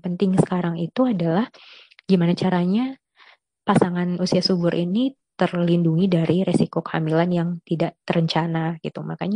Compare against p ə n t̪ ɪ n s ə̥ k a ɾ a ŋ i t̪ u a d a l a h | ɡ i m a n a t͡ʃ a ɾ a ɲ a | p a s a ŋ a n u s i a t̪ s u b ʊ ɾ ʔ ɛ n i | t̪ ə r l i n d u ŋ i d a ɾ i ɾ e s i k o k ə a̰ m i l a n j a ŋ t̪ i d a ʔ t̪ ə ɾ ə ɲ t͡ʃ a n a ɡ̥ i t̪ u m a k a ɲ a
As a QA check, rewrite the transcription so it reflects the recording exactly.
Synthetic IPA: p ə n t̪ ɪ ŋ s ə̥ k a ɾ a ŋ i t̪ u a d a l a h | ɡ i m a n a t͡ʃ a ɾ a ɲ a | p a s a ŋ a n u s i a s u b ʊ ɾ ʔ i n i | t̪ ə r l i n d u ŋ i d a ɾ i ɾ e s i k o k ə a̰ m i l a n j a ŋ t̪ i d a ʔ t̪ ə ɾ ə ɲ t͡ʃ a n a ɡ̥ i t̪ u m a k a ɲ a